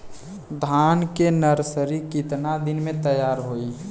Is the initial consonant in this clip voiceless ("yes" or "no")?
no